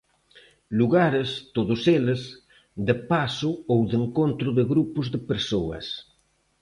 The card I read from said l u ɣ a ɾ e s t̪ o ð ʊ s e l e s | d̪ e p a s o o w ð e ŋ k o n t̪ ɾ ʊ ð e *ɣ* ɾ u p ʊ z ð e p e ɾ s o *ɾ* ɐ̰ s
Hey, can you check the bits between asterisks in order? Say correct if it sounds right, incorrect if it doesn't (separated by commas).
correct, incorrect